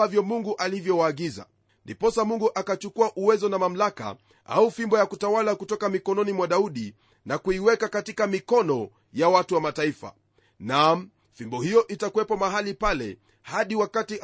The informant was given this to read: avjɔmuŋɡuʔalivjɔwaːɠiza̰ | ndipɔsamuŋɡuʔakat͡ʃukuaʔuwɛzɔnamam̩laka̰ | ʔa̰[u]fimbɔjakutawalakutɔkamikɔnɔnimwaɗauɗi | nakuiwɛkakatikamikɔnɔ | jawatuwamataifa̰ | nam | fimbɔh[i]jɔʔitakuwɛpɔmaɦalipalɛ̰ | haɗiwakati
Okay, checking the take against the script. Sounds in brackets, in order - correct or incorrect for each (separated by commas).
correct, correct